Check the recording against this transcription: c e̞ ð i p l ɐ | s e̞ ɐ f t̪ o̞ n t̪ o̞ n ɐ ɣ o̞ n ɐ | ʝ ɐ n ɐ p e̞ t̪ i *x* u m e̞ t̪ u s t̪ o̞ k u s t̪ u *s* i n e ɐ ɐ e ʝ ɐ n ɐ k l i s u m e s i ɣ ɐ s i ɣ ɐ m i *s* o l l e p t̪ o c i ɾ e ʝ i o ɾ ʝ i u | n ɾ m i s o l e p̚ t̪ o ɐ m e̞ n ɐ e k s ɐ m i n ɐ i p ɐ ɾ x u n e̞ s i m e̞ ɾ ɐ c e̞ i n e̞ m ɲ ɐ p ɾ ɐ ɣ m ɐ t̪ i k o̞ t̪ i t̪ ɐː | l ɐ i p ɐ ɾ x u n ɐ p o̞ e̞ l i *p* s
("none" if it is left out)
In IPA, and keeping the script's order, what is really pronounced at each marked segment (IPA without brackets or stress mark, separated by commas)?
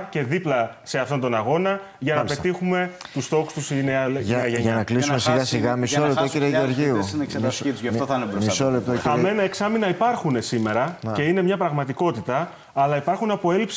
x, s, s, p